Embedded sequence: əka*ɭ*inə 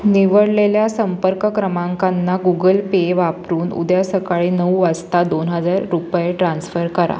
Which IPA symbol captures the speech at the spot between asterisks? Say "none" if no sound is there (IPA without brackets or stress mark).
ɭ